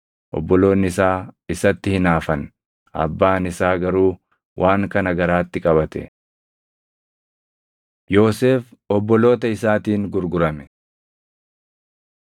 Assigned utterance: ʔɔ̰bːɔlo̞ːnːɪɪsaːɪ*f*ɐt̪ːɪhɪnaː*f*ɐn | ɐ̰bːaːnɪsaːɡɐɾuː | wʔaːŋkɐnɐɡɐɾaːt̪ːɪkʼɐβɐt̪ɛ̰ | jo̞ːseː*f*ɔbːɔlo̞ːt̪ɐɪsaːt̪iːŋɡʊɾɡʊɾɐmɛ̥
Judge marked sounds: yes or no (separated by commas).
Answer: no, yes, yes